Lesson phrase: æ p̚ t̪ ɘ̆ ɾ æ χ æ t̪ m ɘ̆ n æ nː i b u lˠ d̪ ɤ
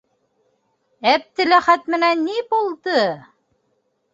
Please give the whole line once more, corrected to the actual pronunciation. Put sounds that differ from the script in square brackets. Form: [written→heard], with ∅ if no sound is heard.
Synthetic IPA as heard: æ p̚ t̪ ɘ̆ [ɾ→l] æ χ æ t̪ m ɘ̆ n æ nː i b u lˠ d̪ ɤ